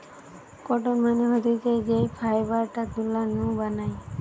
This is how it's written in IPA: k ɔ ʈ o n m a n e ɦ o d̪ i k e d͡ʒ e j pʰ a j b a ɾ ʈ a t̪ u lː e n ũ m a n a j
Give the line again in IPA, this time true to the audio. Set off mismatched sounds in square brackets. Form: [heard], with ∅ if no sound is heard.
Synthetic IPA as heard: k ɔ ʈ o n m a n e ɦ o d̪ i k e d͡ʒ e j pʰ a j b a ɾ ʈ a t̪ u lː [a] n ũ [b] a n a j